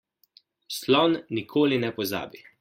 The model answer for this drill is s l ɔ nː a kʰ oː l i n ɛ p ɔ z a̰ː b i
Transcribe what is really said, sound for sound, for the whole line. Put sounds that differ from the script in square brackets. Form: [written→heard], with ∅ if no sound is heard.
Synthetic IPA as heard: s l ɔ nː [a→i] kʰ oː l i n ɛ p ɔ z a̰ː b i